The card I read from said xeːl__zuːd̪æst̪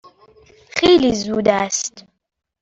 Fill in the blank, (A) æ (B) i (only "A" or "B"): B